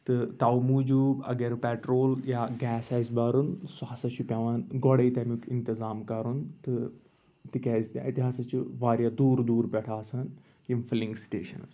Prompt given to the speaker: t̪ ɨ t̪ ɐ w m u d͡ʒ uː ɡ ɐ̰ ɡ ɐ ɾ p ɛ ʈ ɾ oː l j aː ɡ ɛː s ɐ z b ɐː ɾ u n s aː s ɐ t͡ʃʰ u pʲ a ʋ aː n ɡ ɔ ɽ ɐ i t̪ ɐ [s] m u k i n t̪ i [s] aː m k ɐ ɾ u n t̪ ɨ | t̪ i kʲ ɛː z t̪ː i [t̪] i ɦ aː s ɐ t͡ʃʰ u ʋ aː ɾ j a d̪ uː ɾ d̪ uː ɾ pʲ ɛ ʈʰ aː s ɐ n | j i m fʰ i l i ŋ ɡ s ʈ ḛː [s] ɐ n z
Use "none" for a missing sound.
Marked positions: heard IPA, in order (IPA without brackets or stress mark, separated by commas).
none, z, t̪, ʃ